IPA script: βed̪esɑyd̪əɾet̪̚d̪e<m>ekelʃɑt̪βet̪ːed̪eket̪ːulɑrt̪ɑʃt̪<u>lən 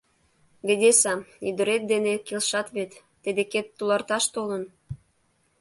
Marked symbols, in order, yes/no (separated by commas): no, no